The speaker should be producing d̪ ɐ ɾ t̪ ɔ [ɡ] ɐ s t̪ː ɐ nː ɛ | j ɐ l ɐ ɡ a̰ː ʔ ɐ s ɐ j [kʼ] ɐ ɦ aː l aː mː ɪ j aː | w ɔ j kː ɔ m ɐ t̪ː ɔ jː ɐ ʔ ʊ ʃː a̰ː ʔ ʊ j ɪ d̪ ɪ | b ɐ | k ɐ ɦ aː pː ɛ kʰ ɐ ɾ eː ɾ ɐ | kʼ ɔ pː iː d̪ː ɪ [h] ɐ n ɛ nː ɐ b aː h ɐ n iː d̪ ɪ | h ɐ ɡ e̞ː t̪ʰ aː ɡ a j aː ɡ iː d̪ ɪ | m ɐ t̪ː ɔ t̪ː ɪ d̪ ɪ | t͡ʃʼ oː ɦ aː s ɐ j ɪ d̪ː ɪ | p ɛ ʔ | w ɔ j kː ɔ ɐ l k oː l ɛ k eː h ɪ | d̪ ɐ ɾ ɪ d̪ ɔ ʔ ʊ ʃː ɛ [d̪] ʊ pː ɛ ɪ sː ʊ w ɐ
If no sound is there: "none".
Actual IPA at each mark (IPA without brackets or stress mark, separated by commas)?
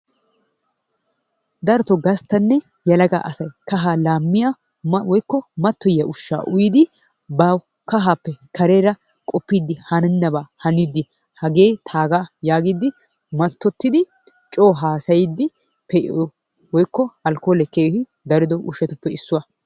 ɡ, k, h, t̪